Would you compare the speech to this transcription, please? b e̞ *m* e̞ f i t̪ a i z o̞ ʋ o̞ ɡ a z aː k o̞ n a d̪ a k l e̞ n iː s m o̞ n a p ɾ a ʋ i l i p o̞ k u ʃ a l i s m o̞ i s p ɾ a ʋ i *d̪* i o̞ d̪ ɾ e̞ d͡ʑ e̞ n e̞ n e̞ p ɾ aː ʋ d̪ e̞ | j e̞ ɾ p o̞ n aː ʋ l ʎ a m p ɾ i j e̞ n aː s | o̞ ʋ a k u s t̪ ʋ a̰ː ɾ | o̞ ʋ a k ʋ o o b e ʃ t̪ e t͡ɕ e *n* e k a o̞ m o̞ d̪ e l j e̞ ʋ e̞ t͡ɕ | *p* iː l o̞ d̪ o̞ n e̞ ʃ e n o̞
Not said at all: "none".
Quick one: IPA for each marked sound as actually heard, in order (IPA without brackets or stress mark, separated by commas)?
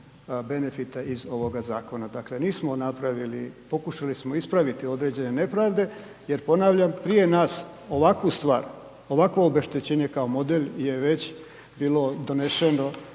n, t̪, ɲ, b